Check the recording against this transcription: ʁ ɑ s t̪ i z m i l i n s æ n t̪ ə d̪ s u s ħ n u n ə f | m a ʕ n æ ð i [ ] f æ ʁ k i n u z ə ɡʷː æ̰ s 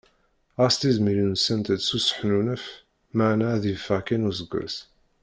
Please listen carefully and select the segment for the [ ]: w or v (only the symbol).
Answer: v